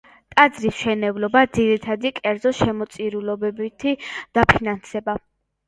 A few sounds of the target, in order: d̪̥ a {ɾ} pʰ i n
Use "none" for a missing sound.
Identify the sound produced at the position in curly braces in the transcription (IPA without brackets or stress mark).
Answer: none